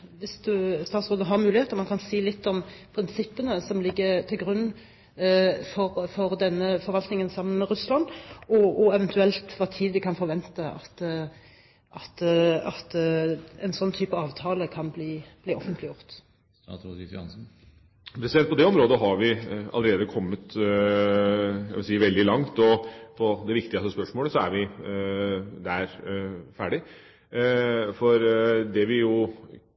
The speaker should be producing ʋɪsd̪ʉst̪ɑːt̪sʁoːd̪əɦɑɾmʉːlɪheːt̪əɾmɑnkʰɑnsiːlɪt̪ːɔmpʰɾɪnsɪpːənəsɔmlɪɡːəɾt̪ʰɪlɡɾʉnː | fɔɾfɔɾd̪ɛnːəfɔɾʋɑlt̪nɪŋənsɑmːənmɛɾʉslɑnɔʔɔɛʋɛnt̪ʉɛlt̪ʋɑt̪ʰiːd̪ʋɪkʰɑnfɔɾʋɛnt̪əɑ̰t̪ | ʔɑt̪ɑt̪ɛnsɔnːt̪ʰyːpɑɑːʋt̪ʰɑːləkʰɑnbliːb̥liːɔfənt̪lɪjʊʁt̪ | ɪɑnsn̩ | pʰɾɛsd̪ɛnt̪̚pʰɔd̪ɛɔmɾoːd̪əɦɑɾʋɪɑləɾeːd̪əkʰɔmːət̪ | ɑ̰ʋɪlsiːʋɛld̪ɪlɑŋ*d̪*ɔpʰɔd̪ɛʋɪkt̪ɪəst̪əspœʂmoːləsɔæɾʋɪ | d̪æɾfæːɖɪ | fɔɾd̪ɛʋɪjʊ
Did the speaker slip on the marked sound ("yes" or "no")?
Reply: yes